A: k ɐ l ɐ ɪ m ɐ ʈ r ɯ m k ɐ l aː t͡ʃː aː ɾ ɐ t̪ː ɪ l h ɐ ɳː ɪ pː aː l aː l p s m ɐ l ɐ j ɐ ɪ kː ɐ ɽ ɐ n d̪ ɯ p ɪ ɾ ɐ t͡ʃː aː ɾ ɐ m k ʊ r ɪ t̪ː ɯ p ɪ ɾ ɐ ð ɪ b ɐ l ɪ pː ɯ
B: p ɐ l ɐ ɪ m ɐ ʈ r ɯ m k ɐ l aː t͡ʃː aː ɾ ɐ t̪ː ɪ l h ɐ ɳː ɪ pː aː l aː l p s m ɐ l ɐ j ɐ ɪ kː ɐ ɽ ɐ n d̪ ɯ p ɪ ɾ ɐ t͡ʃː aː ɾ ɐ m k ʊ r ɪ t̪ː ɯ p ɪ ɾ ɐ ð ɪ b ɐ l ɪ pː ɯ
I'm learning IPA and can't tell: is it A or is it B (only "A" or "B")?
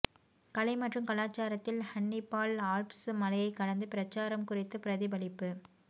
A